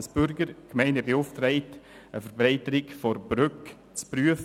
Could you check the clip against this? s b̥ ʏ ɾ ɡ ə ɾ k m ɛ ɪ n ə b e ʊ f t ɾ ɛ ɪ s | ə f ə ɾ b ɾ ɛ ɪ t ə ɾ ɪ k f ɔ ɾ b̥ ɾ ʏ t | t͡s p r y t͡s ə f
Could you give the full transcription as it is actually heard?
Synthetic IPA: s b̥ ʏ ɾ ɡ ə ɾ k m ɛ ɪ n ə b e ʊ f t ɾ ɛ ɪ t | ə f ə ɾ b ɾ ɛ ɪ t ə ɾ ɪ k f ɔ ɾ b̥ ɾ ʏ k | t͡s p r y ə f